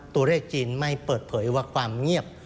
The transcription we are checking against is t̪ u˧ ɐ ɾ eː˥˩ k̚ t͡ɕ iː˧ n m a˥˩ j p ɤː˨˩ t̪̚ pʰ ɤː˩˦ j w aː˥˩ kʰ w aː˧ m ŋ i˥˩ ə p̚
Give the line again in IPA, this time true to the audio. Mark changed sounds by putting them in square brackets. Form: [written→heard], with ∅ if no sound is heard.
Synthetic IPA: t̪ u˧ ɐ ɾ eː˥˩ k̚ t͡ɕ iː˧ n m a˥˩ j p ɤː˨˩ t̪̚ pʰ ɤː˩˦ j w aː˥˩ kʰ w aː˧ m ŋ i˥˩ ə p̚